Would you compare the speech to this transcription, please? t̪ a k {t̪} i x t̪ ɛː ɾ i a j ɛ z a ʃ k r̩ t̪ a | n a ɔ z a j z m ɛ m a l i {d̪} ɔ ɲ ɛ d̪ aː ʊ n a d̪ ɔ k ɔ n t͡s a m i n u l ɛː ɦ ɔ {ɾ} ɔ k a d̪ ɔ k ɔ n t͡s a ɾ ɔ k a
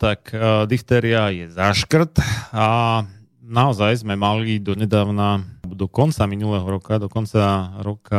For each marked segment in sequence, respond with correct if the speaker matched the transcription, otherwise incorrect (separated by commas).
incorrect, correct, correct